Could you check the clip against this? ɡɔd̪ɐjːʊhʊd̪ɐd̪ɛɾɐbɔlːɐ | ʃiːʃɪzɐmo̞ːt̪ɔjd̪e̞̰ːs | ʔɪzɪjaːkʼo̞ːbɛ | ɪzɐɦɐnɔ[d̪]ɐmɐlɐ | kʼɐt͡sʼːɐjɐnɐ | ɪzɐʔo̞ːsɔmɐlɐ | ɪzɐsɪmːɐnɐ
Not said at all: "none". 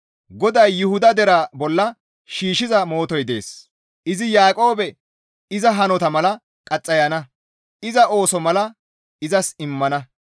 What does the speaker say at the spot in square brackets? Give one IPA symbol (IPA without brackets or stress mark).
t̪